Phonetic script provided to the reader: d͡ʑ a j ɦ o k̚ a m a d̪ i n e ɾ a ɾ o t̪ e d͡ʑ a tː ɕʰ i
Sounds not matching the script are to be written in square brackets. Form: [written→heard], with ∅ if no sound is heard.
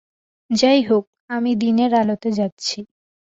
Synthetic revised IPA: d͡ʑ a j ɦ o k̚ a m [a→i] d̪ i n e ɾ a [ɾ→l] o t̪ e d͡ʑ a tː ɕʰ i